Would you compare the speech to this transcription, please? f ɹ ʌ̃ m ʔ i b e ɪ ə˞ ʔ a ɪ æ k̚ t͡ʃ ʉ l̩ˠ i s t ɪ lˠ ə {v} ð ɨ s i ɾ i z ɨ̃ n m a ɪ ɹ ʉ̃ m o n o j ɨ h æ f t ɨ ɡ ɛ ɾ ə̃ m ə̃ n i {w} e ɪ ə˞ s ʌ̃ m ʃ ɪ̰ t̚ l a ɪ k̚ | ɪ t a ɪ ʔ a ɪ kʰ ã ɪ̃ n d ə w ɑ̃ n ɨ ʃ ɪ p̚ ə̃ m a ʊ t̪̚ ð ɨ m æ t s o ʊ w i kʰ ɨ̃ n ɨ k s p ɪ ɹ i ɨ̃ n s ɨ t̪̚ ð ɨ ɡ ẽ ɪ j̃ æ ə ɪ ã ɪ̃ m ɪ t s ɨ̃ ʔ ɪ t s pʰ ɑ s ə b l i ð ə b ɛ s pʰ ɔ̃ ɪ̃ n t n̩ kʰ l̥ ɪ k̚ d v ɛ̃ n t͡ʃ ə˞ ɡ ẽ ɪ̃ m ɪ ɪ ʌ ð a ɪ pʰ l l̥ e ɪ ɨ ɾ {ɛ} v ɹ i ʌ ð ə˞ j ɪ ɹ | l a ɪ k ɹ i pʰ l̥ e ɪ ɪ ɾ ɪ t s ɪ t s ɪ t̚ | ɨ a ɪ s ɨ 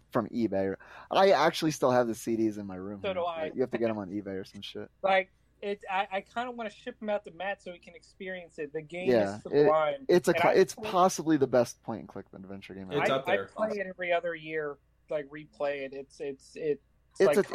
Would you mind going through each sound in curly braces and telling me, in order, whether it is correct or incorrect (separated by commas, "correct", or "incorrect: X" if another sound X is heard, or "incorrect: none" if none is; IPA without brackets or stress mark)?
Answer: correct, incorrect: b, correct